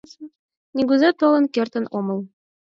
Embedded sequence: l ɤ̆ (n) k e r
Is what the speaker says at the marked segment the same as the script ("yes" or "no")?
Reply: yes